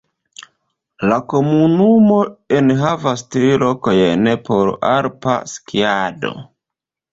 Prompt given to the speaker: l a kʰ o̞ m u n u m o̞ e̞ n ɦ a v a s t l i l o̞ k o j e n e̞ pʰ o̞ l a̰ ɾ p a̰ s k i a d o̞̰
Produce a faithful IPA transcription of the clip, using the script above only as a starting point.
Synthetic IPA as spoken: l a k o̞ m u n u m o̞ e̞ n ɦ a v a s t ɾ i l o̞ k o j e n e̞ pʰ o̞ ɾ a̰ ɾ p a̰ s k i a d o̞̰